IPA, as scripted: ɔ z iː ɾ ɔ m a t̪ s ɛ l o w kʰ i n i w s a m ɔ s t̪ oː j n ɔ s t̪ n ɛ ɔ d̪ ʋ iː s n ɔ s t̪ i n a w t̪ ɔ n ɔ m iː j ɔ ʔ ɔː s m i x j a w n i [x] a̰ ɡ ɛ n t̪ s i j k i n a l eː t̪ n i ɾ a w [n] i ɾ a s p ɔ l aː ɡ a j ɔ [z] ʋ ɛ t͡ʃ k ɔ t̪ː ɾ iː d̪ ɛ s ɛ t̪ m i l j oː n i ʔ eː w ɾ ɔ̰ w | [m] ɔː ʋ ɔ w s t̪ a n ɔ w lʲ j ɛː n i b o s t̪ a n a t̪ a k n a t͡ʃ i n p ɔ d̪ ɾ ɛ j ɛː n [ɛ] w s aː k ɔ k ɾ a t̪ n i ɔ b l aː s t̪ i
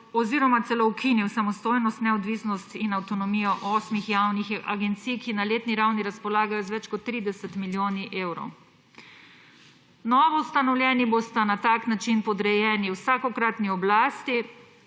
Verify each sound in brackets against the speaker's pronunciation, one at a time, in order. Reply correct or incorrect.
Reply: correct, correct, correct, incorrect: n, incorrect: i

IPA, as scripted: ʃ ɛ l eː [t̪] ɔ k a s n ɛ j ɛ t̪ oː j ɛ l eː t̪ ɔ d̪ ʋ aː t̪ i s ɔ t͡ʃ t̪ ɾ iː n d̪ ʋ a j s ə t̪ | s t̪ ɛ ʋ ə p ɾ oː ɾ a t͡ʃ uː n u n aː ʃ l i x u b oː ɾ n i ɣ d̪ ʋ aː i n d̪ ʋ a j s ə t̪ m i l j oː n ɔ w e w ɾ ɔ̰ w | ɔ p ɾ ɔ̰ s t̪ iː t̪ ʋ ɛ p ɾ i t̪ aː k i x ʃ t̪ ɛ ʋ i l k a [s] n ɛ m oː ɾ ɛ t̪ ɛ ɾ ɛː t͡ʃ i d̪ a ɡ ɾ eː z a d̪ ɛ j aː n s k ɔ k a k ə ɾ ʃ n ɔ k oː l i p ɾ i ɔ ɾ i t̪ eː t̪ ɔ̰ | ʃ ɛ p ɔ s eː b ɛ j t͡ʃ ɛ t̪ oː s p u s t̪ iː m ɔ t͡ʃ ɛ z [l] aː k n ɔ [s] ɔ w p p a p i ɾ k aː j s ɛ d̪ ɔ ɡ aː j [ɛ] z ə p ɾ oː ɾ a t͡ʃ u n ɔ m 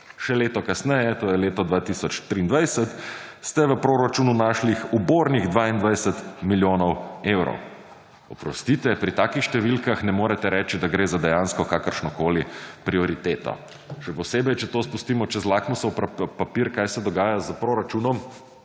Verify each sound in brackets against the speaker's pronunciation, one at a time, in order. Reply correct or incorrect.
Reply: correct, incorrect: x, correct, correct, incorrect: a

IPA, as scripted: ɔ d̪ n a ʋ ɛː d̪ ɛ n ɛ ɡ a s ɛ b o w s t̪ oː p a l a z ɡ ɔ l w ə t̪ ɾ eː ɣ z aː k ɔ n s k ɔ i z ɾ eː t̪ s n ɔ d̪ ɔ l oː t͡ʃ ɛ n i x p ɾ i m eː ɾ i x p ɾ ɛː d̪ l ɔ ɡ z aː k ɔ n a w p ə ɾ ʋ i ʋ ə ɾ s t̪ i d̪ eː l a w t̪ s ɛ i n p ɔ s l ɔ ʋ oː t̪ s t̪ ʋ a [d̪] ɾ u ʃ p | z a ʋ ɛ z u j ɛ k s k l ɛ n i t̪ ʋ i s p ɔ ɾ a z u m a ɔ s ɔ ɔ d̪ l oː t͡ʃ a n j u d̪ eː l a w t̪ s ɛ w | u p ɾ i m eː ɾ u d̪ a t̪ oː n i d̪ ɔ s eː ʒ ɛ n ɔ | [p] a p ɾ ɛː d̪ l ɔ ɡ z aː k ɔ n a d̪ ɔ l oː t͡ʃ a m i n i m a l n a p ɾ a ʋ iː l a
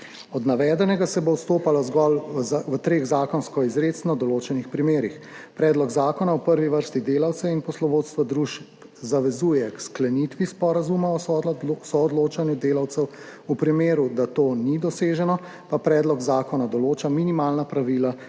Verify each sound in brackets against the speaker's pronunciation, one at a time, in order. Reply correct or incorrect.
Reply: correct, correct

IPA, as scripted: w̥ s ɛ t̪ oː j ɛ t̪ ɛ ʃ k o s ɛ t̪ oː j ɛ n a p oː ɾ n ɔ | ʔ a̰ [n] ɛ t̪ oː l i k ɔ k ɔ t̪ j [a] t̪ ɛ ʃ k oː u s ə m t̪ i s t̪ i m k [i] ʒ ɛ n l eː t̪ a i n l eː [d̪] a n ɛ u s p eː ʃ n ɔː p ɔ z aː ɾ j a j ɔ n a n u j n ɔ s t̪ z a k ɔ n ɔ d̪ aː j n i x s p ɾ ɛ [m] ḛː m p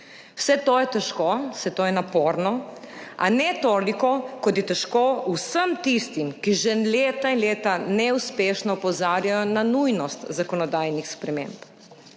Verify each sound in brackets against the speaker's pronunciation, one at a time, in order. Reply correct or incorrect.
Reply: correct, incorrect: ɛ, correct, incorrect: t̪, correct

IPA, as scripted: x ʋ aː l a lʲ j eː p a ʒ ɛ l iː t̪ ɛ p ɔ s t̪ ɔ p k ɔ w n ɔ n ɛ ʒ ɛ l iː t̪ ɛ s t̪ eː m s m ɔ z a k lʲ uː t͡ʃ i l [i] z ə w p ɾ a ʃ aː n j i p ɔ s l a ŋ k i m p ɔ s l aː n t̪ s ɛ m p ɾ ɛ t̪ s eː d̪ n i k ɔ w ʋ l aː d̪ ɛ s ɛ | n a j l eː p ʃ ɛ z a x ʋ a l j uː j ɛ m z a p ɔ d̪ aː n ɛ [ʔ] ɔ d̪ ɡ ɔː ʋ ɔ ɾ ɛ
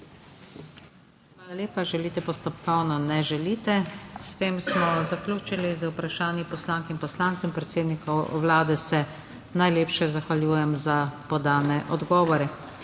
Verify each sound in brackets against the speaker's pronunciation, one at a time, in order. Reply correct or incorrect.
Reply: correct, correct

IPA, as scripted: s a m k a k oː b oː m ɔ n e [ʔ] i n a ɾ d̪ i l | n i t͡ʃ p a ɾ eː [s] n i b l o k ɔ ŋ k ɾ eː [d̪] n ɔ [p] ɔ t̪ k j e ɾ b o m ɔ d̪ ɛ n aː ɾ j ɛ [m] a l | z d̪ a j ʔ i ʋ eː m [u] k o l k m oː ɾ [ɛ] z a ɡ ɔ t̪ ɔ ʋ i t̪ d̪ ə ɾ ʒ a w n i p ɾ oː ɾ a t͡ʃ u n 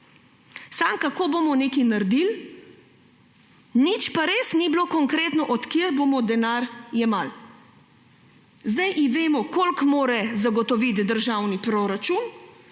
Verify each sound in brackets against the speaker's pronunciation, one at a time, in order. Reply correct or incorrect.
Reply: incorrect: k, correct, incorrect: t̪, incorrect: ʔ, correct, incorrect: ɔ, correct

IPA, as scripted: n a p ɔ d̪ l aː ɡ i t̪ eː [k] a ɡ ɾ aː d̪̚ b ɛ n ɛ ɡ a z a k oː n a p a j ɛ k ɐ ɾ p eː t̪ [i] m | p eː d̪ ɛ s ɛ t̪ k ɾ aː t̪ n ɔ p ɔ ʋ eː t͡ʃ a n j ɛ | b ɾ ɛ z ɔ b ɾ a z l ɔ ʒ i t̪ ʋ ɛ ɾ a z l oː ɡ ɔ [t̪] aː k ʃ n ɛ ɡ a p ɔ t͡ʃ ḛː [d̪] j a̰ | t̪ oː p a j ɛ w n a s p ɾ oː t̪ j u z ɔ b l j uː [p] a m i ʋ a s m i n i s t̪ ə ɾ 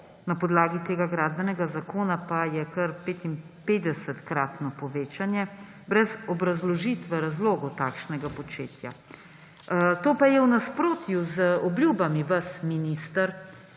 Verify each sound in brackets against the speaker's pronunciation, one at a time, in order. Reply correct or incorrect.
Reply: incorrect: ɡ, correct, correct, incorrect: t̪, incorrect: b

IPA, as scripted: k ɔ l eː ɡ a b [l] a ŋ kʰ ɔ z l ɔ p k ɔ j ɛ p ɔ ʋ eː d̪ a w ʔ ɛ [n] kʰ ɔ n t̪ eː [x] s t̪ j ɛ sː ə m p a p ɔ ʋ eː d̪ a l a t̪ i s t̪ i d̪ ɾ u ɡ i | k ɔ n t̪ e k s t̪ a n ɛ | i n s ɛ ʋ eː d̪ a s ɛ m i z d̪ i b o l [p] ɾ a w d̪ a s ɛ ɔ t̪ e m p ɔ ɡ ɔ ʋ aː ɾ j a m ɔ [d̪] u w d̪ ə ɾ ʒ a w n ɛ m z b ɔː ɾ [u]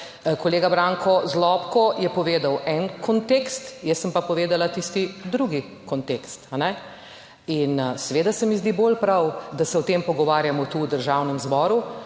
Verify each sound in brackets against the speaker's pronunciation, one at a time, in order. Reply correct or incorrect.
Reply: incorrect: ɾ, correct, incorrect: k, correct, incorrect: t̪, correct

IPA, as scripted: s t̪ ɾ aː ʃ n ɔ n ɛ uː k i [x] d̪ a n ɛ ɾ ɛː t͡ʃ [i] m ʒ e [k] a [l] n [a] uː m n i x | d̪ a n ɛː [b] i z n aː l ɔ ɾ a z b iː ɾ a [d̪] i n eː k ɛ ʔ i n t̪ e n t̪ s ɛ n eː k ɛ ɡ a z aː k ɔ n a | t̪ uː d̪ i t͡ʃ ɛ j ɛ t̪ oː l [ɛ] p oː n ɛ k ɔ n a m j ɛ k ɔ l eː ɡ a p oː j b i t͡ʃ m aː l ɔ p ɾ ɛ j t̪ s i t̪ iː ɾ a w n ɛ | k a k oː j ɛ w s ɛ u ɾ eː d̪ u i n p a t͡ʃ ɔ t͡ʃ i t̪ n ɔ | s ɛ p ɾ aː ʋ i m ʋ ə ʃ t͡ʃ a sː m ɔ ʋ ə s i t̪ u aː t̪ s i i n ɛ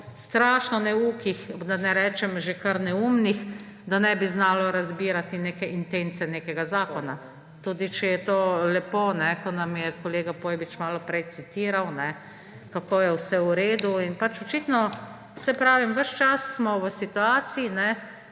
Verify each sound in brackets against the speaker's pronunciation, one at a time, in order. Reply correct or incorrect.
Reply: correct, incorrect: ɛ, correct, incorrect: ɾ, incorrect: ɛ, correct, incorrect: t̪, correct

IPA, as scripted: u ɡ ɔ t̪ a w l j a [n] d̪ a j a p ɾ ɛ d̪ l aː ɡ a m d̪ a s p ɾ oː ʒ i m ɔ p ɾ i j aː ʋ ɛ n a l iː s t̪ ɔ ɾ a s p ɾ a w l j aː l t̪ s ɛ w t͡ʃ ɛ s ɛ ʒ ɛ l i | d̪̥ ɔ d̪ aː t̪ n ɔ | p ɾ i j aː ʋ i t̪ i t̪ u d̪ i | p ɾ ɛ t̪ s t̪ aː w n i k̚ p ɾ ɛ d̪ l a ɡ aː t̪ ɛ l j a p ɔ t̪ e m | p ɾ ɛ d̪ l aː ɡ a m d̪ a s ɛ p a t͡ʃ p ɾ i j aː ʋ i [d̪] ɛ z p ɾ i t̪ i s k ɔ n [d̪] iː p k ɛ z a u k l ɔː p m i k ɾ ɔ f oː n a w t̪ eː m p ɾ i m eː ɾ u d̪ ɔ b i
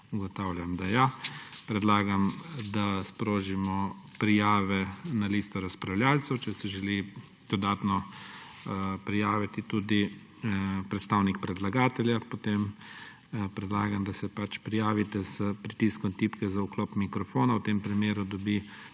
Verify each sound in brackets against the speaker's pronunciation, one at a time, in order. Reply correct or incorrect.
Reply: incorrect: m, incorrect: t̪, incorrect: t̪

